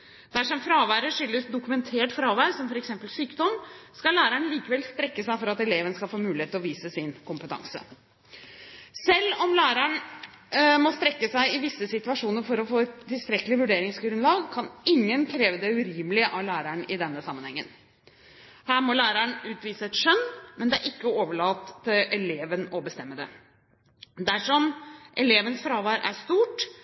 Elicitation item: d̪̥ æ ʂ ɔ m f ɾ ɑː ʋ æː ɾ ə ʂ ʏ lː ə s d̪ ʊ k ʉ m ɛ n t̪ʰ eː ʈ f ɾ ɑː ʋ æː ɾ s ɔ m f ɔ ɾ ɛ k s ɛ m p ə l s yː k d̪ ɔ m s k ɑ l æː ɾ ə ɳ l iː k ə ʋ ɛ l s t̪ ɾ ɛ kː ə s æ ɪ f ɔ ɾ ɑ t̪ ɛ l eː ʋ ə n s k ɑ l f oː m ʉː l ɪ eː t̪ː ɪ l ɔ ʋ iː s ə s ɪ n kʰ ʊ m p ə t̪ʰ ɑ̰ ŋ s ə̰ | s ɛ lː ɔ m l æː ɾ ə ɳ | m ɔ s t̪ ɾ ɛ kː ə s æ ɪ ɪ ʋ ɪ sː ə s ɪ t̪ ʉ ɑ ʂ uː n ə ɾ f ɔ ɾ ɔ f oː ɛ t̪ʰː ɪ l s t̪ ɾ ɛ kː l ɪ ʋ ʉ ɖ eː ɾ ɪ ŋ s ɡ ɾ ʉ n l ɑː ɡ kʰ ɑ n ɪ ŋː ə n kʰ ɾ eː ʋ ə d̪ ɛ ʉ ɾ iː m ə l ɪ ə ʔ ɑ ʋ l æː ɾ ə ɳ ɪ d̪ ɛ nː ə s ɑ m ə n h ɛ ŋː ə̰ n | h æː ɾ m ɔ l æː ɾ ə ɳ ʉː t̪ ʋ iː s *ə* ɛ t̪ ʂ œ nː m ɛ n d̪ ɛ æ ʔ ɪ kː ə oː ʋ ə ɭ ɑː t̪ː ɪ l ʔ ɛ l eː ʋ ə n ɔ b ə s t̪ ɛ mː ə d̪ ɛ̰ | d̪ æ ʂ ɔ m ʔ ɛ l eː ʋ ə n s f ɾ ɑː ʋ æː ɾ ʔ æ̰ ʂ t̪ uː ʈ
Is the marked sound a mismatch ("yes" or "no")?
no